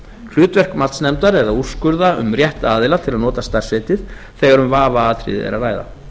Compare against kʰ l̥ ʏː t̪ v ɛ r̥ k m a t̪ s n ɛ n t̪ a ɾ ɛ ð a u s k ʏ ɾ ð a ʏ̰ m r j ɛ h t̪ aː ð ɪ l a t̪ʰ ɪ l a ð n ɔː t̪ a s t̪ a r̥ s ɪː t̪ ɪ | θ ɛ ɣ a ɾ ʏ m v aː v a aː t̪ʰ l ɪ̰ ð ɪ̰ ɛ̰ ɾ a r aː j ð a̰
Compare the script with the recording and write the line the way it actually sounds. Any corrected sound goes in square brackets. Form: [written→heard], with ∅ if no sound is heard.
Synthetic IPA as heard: kʰ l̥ ʏː t̪ v ɛ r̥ k m a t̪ s n ɛ [n→m] t̪ a ɾ ɛ ð a u s k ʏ ɾ ð a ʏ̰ m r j ɛ h t̪ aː ð ɪ l a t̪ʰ ɪ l a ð n ɔː t̪ a s t̪ a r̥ s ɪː t̪ ɪ | θ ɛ ɣ a ɾ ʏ m v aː v a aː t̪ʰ [l→ɾ] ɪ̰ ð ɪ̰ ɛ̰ ɾ a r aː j ð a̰